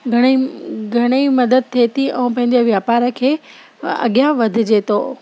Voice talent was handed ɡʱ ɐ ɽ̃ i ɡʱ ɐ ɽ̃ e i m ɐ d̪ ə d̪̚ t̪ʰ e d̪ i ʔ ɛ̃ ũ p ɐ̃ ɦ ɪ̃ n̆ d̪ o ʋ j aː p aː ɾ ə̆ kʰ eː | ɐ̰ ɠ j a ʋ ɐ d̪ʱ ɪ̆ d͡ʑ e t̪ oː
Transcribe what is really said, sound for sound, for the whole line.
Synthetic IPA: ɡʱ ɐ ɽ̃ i ɡʱ ɐ ɽ̃ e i m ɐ d̪ ə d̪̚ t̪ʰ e t̪ i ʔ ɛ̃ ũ p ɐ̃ ɦ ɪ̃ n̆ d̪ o ʋ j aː p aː ɾ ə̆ kʰ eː | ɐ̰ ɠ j a ʋ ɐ d̪ʱ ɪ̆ d͡ʑ e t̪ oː